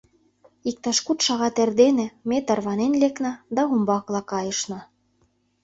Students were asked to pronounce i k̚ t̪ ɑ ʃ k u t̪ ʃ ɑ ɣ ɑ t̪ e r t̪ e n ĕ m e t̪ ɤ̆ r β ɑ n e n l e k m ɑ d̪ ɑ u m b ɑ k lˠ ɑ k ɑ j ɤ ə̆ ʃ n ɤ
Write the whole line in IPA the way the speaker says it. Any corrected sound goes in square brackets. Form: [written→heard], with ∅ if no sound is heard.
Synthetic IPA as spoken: i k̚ t̪ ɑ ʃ k u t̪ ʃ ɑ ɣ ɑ t̪ e r [t̪→d̪] e n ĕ m e t̪ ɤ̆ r β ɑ n e n l e k [m→n] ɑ d̪ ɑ u m b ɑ k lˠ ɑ k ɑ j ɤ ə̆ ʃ n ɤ